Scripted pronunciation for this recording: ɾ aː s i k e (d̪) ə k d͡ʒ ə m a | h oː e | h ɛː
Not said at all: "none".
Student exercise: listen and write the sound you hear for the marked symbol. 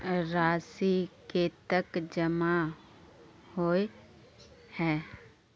t̪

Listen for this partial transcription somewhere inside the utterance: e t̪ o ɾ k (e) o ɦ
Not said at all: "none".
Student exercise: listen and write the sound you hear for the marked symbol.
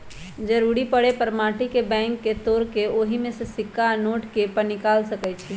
e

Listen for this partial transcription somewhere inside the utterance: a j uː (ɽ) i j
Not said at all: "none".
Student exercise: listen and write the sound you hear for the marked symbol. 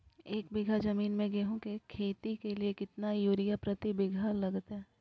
ɾ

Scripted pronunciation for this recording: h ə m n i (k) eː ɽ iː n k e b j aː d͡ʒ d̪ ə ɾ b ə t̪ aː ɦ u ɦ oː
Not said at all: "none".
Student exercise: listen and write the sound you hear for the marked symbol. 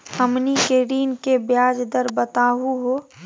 k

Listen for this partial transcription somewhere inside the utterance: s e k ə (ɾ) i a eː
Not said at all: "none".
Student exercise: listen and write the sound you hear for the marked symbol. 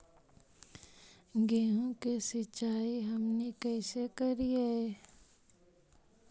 ɾ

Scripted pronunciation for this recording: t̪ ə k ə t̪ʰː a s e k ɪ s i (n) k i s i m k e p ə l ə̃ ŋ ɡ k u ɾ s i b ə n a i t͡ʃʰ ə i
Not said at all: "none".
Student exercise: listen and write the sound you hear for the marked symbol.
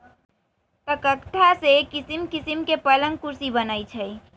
m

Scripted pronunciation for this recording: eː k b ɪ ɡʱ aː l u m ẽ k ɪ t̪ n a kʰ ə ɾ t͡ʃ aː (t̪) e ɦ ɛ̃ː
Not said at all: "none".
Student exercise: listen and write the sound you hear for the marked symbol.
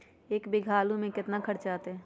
t̪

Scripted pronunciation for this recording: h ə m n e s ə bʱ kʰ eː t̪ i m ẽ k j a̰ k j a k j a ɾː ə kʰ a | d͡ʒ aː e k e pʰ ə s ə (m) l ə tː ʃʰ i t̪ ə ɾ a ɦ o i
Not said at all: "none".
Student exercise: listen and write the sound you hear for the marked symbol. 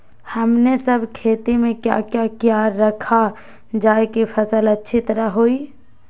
none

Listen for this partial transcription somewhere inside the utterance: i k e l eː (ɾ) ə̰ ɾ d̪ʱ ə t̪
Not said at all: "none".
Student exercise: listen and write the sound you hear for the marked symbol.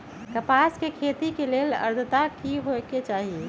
l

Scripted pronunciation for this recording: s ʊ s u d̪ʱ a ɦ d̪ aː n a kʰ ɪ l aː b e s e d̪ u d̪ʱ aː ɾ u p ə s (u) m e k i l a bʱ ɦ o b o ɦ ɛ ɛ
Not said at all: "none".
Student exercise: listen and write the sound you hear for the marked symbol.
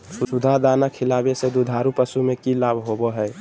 u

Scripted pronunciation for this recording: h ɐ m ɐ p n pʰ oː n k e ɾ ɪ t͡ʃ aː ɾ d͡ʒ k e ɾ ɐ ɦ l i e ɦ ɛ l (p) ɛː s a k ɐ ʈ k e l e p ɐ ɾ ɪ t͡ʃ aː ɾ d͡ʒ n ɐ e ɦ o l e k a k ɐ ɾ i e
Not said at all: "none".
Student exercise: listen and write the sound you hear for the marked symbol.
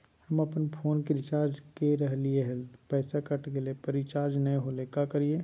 p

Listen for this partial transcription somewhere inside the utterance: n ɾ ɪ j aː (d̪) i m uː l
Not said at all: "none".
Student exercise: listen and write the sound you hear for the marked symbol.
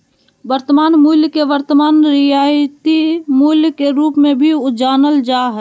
t̪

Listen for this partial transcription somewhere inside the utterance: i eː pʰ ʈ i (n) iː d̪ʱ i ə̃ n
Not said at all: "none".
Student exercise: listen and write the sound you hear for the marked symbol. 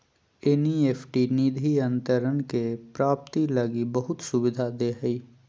n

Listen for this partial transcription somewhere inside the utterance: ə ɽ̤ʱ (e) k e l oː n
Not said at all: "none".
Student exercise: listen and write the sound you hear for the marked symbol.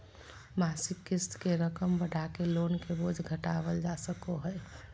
a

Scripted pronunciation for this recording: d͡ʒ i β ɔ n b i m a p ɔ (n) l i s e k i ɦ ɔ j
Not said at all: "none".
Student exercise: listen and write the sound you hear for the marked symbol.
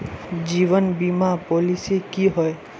none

